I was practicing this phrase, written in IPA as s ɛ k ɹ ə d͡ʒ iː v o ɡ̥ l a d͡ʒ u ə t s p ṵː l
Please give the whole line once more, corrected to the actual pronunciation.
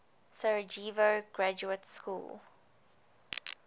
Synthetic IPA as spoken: s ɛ ɹ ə d͡ʒ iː v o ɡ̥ ɹ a d͡ʒ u ə t s k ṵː l